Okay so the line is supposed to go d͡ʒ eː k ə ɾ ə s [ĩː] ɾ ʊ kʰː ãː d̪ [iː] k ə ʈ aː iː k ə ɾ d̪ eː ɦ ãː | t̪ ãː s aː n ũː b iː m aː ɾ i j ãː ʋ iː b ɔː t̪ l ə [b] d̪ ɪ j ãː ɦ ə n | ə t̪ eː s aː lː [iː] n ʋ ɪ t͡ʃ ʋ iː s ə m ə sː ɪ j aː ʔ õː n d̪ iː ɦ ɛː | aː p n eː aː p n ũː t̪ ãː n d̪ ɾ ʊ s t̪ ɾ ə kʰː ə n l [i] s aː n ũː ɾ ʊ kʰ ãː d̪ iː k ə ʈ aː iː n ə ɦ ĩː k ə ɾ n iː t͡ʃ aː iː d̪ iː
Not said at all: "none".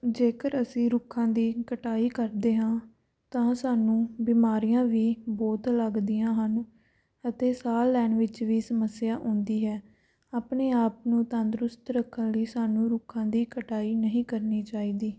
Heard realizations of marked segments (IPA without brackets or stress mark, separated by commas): ĩː, iː, ɡ, ɛː, iː